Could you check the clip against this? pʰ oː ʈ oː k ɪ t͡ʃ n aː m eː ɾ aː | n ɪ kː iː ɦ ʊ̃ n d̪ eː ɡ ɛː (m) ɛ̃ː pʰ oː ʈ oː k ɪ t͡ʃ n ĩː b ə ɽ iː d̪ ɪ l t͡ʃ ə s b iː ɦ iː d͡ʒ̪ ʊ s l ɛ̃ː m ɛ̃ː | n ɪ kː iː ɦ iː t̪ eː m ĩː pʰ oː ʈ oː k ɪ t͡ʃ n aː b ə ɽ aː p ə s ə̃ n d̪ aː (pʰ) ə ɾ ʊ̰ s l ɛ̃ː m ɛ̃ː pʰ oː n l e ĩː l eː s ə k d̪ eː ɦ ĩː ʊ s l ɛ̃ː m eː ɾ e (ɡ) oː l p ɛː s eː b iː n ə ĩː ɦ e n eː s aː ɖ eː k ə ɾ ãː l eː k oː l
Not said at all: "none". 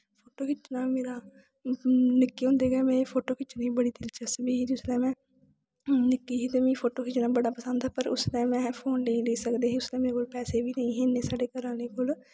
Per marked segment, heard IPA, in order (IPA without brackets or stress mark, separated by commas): m, p, k